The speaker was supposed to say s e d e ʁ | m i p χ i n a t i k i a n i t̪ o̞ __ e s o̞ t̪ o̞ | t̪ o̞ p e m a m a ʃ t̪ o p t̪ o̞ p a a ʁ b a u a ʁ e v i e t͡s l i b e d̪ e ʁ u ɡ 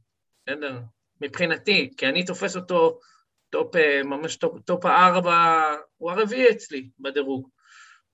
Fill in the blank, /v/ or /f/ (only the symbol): f